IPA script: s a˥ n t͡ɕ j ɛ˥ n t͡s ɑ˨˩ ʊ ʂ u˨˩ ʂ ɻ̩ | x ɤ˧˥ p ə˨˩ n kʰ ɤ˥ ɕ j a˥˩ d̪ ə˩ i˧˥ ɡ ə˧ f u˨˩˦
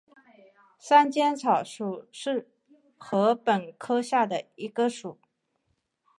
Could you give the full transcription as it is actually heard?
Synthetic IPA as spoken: s a˥ n t͡ɕ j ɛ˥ n t͡sʰ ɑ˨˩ ʊ ʂ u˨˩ ʂ ɻ̩ | x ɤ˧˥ p ə˨˩ n kʰ ɤ˥ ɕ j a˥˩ d̪ ə˩ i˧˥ ɡ ə˧ ʂ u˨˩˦